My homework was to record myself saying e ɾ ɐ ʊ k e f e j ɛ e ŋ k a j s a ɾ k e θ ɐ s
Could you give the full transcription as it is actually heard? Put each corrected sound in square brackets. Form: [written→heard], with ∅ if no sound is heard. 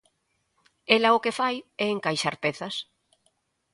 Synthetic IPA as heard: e [ɾ→l] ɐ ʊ k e f [e→a] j ɛ e ŋ k a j [s→ʃ] a ɾ [k→p] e θ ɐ s